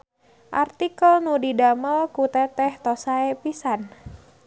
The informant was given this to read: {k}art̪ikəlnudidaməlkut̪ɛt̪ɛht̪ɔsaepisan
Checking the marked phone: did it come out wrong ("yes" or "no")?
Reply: yes